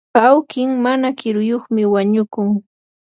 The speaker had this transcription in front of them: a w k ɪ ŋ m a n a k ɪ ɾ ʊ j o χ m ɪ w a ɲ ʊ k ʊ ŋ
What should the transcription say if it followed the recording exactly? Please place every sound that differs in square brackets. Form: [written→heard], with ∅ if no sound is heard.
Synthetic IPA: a w k ɪ ŋ m a n a k ɪ ɾ ʊ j o χ m ɪ w a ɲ ʊ k ʊ ŋ

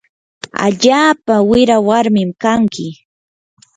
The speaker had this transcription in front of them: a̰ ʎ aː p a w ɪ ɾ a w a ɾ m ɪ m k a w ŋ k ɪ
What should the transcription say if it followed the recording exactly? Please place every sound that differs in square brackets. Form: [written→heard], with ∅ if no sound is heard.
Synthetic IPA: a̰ ʎ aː p a w ɪ ɾ a w a ɾ m ɪ m k a [w→∅] ŋ k ɪ

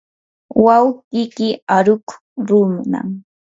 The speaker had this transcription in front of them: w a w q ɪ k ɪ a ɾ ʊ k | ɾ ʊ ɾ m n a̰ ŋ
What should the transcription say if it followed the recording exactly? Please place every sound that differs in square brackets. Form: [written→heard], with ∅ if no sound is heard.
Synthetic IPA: w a w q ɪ k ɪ a ɾ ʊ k | ɾ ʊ [ɾ→∅] m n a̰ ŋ

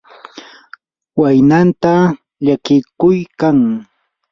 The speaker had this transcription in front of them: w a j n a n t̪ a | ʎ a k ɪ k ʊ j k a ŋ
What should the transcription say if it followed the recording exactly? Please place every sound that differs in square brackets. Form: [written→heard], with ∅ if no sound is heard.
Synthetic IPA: w a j n a n t̪ a | ʎ a k ɪ k ʊ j k a ŋ

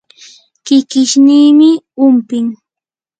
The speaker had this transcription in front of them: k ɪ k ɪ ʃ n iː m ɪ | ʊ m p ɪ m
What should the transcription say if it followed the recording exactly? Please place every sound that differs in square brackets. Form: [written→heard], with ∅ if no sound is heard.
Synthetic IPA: k ɪ k ɪ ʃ n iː m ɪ | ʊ m p ɪ [m→ŋ]

